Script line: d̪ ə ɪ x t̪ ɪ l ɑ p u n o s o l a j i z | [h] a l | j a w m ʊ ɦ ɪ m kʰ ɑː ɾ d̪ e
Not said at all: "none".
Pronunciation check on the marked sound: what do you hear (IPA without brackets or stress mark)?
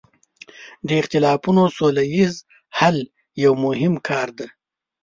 h